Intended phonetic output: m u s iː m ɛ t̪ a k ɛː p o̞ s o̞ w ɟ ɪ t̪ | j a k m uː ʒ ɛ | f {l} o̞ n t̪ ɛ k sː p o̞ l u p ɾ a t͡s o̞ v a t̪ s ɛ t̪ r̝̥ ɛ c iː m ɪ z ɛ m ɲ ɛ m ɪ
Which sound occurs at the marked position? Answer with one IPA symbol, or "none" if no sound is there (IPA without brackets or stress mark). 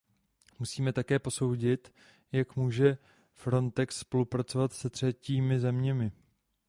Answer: ɾ